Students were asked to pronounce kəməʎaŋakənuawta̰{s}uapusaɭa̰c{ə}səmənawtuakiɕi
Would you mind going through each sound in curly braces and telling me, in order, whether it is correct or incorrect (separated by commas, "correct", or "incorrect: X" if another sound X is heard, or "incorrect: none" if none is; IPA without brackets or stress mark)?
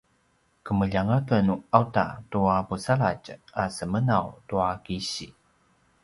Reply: incorrect: t, incorrect: a